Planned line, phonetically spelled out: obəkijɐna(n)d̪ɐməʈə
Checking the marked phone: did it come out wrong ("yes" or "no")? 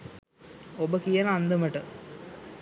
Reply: no